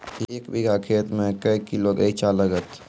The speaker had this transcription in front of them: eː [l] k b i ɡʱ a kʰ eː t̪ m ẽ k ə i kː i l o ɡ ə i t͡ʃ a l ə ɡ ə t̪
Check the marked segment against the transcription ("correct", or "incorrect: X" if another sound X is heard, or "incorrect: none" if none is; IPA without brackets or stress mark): incorrect: none